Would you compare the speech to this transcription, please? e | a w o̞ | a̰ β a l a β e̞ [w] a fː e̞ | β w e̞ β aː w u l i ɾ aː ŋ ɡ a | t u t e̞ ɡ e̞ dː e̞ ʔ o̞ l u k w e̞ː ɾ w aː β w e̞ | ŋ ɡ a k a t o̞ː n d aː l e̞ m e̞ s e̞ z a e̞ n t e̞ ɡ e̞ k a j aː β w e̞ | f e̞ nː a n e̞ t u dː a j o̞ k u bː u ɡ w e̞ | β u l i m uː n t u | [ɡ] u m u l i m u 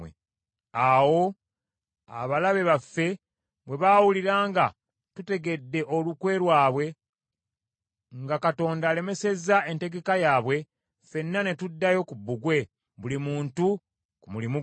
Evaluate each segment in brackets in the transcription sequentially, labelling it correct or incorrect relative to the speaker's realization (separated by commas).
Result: incorrect, incorrect